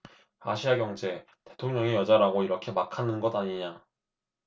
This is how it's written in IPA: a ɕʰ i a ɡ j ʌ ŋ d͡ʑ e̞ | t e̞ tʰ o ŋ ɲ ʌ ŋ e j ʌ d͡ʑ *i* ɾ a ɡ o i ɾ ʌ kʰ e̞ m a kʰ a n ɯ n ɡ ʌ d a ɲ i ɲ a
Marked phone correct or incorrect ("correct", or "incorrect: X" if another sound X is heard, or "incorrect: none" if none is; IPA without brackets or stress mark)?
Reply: incorrect: a